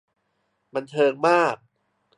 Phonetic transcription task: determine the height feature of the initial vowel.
low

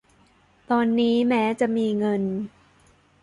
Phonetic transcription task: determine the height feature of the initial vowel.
mid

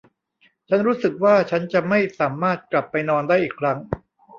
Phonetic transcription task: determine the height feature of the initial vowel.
low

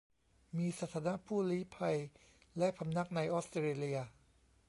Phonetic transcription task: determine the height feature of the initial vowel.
high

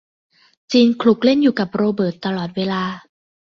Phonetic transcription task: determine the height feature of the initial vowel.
high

